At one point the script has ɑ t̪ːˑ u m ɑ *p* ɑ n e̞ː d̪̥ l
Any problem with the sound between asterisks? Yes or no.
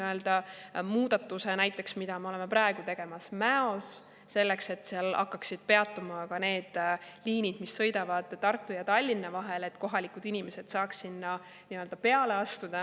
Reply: yes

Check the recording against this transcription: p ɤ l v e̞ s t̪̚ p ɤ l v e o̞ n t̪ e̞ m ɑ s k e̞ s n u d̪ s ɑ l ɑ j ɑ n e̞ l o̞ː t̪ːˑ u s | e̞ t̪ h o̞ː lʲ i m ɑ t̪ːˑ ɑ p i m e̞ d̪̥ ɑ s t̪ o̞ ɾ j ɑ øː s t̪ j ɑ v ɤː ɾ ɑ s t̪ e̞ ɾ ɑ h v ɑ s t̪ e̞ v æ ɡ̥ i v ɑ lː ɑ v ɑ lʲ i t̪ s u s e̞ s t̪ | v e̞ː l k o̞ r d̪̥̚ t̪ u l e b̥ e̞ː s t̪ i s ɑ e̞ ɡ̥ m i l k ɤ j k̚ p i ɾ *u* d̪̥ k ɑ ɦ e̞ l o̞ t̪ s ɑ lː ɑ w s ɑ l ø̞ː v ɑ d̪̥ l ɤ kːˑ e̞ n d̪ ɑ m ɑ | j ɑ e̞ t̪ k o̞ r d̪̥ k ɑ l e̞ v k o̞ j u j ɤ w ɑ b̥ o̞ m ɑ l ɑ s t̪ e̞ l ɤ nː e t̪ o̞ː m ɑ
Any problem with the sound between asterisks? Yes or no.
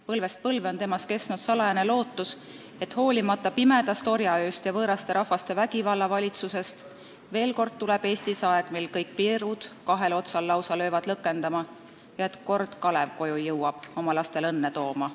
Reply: no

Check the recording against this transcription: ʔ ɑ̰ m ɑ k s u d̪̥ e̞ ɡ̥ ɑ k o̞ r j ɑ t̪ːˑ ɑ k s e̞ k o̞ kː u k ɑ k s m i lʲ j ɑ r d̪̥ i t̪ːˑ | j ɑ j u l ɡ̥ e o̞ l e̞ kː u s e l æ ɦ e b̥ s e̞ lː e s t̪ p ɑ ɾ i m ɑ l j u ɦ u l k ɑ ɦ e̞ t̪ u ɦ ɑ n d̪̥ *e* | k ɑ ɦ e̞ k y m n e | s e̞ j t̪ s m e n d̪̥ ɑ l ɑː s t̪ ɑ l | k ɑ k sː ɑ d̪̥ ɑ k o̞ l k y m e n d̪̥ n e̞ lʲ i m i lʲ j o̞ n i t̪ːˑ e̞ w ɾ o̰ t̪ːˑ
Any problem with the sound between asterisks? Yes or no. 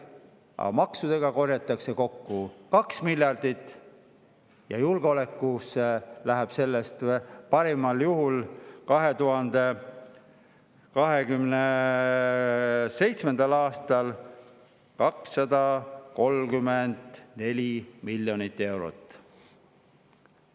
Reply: no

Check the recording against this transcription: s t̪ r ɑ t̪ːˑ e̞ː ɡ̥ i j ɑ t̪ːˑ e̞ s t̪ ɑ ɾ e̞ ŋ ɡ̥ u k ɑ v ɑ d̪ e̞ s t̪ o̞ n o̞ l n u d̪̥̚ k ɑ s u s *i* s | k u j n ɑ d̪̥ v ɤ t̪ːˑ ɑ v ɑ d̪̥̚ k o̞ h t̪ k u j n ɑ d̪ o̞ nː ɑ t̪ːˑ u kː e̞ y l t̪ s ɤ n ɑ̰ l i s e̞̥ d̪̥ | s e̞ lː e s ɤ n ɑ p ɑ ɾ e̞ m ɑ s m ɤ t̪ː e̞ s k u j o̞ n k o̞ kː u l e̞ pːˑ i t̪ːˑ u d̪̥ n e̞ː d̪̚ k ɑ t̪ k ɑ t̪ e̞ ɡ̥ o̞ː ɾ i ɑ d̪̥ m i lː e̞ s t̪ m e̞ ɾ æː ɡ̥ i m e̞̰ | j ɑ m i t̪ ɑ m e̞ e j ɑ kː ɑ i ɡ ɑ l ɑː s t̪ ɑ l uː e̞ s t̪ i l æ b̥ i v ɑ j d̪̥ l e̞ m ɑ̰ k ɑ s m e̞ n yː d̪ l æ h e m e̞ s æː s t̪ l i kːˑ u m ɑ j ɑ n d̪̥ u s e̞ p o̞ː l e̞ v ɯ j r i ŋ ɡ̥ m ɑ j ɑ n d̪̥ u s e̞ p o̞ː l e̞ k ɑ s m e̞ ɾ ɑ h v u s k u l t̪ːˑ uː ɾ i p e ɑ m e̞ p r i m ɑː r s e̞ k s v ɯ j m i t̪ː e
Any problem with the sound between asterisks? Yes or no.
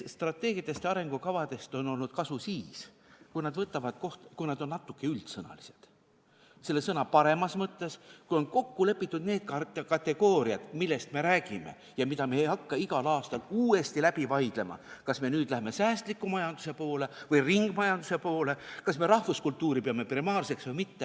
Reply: yes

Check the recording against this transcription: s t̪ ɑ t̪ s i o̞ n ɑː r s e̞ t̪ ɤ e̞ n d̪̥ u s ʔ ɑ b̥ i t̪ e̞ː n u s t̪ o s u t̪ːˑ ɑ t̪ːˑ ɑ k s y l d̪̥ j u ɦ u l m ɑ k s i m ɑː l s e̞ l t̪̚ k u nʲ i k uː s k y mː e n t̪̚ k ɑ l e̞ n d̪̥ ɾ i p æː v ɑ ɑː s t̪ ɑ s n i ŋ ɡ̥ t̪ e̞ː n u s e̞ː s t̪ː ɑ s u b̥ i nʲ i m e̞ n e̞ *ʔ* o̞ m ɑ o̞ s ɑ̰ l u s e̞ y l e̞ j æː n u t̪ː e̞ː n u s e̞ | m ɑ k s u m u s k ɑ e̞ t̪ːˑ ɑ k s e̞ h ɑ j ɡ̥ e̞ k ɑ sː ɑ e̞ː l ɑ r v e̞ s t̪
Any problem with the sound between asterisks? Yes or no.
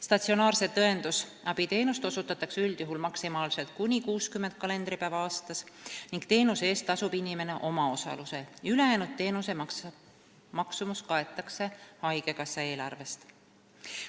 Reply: no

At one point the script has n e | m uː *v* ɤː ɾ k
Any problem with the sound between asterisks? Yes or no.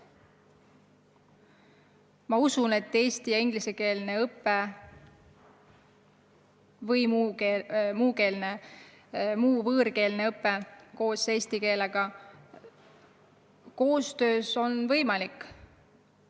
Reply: no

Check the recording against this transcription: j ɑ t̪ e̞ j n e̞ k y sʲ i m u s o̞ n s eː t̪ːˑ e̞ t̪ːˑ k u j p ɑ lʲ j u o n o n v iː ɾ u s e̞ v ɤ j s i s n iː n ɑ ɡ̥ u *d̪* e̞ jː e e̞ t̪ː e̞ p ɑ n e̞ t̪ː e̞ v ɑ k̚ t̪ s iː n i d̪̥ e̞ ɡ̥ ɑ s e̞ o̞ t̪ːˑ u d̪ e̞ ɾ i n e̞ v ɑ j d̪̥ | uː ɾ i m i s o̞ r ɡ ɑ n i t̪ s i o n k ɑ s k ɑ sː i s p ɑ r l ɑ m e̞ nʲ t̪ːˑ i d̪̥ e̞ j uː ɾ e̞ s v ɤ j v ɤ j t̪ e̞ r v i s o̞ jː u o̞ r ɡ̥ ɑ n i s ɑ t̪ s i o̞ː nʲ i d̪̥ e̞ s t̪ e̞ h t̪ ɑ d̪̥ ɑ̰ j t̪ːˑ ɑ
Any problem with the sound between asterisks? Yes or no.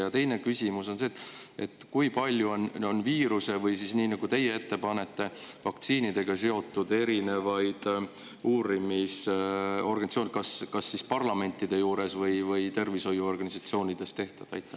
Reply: yes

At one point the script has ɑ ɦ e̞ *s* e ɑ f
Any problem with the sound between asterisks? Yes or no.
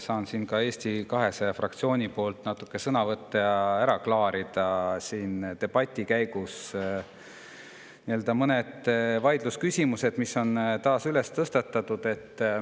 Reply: no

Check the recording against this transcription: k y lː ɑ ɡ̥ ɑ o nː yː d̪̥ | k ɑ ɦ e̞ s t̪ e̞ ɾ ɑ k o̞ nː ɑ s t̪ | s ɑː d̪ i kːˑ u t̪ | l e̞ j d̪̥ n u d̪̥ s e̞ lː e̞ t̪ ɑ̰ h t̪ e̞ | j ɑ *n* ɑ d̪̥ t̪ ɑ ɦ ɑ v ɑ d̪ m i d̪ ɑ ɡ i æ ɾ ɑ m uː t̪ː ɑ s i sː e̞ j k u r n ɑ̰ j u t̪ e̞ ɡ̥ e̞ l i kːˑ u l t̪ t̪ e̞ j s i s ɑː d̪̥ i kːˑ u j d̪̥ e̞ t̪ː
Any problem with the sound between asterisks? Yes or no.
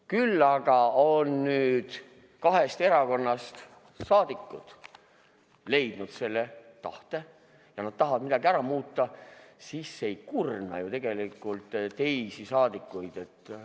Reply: no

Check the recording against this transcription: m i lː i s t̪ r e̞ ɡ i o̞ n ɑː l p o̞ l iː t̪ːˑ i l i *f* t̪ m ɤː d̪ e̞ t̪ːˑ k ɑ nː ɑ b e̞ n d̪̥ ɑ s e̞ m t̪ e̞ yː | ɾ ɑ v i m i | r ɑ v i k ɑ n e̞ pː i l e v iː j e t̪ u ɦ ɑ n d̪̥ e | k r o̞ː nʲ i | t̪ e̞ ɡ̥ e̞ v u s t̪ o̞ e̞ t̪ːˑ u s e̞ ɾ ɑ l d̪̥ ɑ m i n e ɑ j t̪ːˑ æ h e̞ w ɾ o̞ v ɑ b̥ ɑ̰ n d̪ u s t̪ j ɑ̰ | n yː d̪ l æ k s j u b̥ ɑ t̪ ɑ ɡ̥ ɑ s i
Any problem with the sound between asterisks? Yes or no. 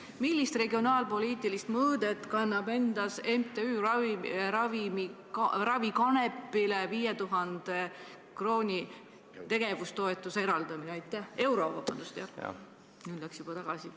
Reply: yes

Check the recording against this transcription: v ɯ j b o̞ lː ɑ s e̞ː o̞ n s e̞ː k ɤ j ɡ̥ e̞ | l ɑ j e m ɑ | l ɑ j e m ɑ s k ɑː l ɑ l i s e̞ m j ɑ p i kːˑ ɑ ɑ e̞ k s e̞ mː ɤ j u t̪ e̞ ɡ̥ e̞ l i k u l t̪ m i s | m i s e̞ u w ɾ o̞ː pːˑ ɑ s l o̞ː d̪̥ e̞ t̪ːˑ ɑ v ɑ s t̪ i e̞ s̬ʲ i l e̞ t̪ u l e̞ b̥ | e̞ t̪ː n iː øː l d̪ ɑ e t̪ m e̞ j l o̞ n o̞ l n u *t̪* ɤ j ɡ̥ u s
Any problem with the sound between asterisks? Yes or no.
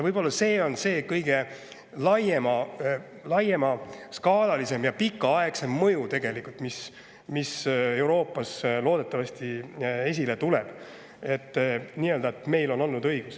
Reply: yes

